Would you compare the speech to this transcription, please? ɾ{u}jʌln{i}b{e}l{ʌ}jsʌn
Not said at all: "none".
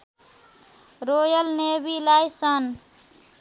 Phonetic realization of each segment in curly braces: o, e, i, a

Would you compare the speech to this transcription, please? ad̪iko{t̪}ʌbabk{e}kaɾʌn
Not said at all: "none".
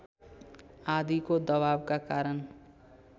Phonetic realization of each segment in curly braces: d̪, a

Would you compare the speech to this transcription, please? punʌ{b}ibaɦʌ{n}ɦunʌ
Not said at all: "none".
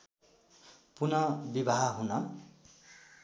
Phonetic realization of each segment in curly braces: b, none

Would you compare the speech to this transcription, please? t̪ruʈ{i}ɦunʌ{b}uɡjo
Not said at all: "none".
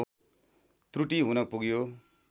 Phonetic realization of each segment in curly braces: i, p

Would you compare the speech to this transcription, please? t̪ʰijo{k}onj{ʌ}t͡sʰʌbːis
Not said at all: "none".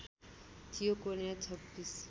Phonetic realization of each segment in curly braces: k, a

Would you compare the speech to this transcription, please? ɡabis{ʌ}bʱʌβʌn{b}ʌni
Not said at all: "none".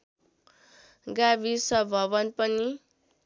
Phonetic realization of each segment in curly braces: ʌ, p

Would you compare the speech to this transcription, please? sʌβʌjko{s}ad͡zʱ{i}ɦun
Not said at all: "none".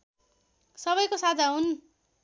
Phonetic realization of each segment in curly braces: s, a

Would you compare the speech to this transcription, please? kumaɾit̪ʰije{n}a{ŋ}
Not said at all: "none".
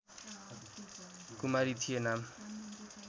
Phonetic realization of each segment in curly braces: n, m

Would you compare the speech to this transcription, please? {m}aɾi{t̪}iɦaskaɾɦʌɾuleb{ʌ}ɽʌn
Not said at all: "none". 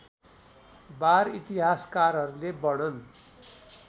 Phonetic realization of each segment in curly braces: b, t̪, ʌ

